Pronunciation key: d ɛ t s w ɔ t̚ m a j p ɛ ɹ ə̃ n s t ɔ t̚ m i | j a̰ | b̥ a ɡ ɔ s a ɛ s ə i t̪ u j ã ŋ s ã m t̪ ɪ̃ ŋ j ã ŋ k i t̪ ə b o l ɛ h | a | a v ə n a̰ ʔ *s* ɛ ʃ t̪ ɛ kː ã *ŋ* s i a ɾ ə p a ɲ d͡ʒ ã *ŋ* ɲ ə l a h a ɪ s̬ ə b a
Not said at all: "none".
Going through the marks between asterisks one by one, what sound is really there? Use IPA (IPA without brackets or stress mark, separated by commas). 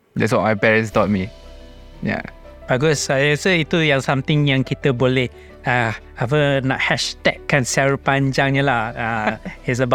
h, n, ŋ